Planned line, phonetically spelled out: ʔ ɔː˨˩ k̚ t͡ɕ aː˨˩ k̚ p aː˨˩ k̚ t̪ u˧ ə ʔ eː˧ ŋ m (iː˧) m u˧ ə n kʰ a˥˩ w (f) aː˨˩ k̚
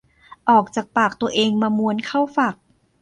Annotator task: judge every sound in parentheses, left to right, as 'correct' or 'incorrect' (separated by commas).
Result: incorrect, correct